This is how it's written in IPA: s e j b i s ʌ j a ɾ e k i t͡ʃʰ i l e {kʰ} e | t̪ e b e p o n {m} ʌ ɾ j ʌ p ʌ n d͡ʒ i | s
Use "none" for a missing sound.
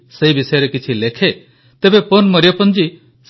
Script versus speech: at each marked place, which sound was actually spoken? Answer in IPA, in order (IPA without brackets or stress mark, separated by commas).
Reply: kʰ, m